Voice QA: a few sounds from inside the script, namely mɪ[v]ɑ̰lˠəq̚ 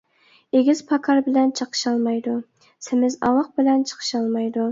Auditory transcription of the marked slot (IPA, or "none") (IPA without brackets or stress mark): z